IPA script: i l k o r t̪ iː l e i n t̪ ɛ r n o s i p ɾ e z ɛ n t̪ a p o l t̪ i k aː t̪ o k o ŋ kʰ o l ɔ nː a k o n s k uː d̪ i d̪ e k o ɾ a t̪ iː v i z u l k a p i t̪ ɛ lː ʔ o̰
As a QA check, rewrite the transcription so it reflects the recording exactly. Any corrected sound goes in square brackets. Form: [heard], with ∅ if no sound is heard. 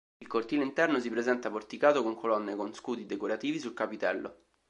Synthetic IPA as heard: i l k o r t̪ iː l e i n t̪ ɛ r n o s i p ɾ e z ɛ n t̪ a p o [r] t̪ i k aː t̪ o k o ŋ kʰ o l ɔ nː [e] k o n s k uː d̪ i d̪ e k o ɾ a t̪ iː v i [s] u l k a p i t̪ ɛ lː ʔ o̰